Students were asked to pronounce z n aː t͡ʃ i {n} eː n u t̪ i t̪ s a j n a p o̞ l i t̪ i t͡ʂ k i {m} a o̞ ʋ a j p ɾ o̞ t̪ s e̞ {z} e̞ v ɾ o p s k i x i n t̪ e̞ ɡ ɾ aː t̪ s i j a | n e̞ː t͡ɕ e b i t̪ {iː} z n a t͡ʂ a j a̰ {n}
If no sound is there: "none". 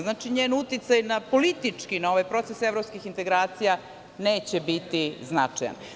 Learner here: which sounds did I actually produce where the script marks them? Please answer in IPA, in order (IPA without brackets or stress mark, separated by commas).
ɲ, n, s, i, n